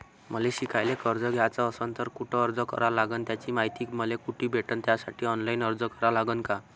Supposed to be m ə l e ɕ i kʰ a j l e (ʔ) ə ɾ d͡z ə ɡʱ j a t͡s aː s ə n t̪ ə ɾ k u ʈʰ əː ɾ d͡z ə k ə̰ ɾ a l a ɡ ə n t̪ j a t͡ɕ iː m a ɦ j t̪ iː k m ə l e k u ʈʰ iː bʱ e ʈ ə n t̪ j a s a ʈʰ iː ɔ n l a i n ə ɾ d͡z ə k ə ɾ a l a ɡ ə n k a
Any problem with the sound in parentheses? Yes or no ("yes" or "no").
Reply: yes